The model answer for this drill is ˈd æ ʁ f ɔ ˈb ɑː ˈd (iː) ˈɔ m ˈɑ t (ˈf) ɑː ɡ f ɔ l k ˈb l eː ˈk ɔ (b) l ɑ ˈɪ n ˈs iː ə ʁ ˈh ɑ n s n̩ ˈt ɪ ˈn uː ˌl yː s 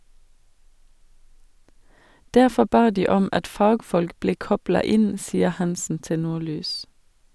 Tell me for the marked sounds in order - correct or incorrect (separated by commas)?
correct, correct, correct